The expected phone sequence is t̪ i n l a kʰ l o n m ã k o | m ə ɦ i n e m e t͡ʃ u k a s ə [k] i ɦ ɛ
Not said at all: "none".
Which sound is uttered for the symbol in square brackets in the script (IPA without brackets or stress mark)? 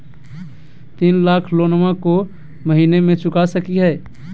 k